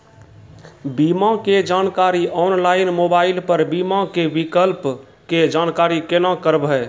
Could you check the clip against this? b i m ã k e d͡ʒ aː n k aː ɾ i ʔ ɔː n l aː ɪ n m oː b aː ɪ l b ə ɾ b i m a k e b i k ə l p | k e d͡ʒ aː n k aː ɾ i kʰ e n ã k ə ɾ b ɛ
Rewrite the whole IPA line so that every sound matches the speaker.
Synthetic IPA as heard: b i m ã k e d͡ʒ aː n k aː ɾ i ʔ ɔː n l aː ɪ n m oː b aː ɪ l p ə ɾ b i m a k e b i k ə l p | k e d͡ʒ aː n k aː ɾ i k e n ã k ə ɾ b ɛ